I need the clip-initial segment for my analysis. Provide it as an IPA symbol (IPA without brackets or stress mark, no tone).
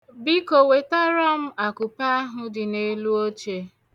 b